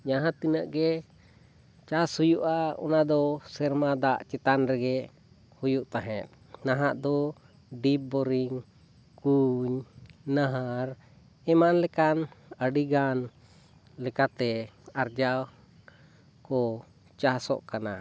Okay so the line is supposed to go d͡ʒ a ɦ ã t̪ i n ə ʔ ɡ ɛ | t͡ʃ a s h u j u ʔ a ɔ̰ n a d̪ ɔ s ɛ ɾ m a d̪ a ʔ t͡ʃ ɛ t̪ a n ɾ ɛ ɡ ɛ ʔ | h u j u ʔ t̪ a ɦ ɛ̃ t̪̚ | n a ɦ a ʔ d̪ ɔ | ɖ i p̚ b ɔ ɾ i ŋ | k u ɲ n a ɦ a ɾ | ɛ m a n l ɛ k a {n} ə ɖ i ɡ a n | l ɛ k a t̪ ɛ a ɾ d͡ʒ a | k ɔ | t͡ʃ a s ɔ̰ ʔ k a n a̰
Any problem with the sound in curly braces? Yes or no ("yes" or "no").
no